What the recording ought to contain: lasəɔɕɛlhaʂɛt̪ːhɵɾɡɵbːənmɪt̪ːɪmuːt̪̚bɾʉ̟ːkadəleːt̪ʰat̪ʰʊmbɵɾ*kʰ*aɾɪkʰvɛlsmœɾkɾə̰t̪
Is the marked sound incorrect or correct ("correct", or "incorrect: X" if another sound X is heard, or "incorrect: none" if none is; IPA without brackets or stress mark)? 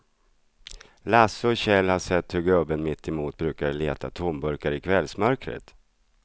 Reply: incorrect: k